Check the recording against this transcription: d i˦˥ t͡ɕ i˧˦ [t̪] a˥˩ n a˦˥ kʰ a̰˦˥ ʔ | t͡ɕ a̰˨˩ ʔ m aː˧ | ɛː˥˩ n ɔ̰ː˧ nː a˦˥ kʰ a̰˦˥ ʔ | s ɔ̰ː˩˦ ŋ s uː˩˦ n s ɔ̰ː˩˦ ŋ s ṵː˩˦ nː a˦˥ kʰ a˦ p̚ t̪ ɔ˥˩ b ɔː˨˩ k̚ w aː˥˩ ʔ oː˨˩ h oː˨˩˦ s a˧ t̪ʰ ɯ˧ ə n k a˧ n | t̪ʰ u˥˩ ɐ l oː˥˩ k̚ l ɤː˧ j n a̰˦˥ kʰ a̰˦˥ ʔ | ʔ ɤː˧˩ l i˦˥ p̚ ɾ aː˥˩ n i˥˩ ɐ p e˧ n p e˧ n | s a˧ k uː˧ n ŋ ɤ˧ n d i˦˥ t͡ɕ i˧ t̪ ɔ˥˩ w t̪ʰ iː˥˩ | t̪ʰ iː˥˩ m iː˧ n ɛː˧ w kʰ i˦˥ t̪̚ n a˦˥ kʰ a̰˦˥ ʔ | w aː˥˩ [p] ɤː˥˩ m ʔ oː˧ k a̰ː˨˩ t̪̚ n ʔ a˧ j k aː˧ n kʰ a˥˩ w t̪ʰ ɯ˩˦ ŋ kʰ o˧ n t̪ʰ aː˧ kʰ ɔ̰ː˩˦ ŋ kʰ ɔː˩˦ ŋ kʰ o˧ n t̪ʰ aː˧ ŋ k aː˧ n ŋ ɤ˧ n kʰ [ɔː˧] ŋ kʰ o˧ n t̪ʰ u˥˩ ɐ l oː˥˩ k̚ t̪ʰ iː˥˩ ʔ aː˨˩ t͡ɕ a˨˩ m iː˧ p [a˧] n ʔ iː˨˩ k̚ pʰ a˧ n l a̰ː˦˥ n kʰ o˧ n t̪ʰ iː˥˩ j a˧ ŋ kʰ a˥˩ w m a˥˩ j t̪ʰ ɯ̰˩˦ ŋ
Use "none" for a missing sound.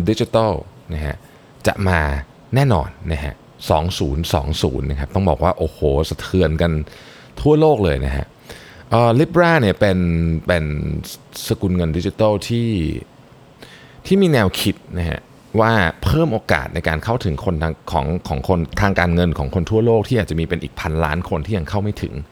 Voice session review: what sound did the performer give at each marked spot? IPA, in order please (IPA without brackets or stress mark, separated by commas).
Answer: t̪, pʰ, ɔː˩˦, e˧